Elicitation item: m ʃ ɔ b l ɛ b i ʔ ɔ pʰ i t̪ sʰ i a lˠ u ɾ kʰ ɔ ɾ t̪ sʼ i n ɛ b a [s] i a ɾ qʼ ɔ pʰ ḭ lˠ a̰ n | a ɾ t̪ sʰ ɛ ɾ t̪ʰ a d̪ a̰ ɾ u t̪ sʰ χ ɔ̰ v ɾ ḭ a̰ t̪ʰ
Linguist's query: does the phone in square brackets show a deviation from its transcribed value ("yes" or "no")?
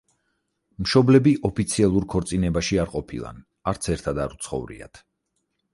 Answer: yes